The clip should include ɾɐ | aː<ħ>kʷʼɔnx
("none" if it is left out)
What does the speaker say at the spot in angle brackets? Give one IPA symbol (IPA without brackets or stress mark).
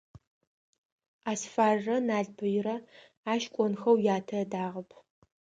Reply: ʃ